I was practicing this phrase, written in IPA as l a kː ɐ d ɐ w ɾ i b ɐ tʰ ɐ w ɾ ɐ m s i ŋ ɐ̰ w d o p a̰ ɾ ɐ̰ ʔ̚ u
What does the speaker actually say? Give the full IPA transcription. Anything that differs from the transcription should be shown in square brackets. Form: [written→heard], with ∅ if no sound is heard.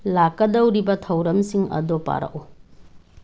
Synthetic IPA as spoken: l a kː ɐ d ɐ w ɾ i b ɐ tʰ ɐ w ɾ ɐ m s i ŋ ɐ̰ [w→∅] d o p a̰ ɾ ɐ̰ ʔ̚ u